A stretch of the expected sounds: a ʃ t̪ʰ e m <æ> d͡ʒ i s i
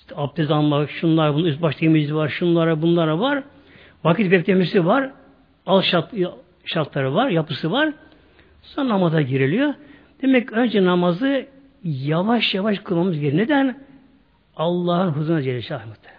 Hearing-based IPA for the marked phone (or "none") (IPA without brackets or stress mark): i